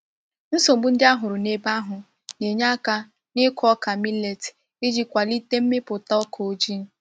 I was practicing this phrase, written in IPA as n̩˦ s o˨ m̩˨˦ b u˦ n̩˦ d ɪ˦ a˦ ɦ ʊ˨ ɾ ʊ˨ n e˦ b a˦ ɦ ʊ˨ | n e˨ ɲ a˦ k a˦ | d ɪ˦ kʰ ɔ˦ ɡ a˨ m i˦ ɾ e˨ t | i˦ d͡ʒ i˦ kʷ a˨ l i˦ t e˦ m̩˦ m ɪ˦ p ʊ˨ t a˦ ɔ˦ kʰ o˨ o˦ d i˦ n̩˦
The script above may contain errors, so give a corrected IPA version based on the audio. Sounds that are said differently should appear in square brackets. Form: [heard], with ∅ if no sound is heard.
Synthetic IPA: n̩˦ s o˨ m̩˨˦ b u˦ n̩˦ d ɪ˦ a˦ ɦ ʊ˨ ɾ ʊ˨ n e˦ b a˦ ɦ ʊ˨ | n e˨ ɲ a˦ k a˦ | [n] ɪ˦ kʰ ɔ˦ [k] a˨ m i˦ [l] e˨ t | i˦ d͡ʒ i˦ kʷ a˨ l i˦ t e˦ m̩˦ m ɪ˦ p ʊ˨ t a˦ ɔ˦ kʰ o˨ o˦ [d͡ʒ] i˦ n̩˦